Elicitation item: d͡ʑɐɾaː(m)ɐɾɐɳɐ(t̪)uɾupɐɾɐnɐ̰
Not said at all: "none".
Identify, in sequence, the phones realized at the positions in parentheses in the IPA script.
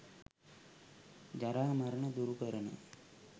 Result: m, d̪

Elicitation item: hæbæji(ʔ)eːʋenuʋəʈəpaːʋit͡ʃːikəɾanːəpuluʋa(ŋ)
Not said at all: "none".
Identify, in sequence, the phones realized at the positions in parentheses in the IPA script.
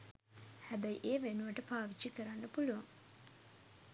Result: ʔ, ŋ

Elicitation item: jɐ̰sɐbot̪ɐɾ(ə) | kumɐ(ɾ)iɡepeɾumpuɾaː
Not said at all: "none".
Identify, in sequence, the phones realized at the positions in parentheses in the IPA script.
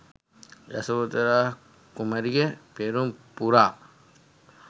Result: a, ɾ

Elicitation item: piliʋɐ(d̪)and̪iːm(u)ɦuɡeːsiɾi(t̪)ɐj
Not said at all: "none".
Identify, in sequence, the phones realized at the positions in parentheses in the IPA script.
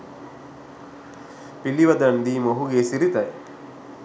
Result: d̪, o, t̪

